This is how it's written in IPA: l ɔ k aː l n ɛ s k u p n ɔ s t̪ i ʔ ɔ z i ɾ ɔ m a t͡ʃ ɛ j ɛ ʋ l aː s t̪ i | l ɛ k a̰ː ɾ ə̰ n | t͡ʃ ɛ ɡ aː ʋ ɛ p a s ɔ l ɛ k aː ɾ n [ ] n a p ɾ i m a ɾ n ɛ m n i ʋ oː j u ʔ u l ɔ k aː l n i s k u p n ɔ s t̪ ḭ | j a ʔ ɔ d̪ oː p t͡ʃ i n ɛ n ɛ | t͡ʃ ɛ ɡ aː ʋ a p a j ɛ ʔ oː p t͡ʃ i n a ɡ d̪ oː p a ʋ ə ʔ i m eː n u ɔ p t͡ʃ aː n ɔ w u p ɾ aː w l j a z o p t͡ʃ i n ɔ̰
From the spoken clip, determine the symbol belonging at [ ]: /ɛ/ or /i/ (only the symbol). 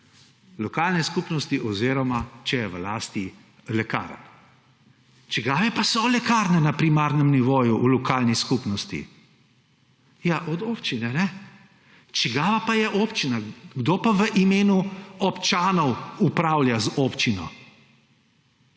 ɛ